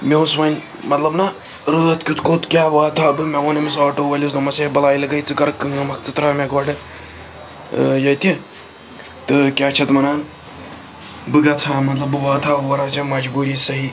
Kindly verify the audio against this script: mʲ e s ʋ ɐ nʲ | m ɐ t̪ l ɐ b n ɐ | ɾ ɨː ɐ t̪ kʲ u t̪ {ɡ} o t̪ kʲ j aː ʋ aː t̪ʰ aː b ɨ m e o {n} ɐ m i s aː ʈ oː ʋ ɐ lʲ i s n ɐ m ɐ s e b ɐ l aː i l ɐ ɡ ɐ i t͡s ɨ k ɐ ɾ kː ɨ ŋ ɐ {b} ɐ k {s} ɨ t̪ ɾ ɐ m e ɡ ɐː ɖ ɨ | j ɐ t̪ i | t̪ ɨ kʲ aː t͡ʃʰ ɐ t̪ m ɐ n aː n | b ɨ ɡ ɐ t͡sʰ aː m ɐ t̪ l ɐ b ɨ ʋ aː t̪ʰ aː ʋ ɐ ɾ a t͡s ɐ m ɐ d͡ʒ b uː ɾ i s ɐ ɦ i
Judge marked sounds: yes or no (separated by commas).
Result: no, yes, no, no